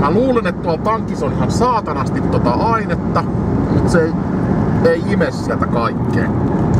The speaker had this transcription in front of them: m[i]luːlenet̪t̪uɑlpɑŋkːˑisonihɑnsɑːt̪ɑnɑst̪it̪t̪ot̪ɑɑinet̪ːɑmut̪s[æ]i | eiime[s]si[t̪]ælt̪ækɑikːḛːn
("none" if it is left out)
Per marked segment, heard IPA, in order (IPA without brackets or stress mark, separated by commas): æ, e, s, none